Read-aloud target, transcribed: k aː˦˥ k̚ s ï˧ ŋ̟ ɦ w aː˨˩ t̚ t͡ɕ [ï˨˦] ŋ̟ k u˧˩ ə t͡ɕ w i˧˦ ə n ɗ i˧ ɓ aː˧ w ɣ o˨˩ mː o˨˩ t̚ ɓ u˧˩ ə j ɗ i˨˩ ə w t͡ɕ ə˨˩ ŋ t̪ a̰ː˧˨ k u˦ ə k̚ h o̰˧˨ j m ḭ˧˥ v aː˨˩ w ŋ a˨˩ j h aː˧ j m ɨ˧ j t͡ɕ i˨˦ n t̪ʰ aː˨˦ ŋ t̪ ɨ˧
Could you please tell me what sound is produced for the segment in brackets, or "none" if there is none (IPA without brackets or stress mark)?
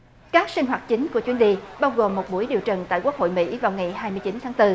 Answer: ï˨˦